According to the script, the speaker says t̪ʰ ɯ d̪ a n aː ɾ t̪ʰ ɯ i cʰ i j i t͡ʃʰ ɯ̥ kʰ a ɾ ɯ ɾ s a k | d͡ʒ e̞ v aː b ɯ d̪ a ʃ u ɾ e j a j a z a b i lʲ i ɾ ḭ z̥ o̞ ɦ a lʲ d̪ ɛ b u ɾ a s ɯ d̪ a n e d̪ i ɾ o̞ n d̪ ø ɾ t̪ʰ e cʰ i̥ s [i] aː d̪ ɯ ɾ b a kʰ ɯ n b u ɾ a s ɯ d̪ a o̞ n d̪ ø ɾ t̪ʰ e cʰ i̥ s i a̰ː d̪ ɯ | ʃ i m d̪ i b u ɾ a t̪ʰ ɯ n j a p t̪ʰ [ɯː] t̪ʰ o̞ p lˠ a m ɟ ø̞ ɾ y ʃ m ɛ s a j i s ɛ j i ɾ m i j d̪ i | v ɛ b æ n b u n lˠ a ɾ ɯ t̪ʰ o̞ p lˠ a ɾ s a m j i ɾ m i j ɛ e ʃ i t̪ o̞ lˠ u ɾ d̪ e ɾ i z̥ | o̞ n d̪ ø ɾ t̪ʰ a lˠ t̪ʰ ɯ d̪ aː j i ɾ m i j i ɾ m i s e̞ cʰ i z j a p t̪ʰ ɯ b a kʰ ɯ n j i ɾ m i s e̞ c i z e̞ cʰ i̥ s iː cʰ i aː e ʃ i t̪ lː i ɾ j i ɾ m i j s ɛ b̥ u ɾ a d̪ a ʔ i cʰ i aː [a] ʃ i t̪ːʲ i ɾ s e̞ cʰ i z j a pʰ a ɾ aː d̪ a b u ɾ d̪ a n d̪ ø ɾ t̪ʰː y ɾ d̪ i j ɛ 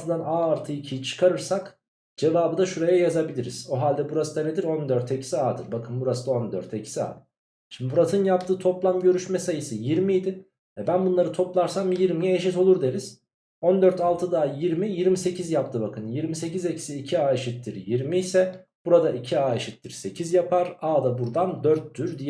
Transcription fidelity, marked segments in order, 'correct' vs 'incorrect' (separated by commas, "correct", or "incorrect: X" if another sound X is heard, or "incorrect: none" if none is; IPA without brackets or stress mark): correct, correct, incorrect: e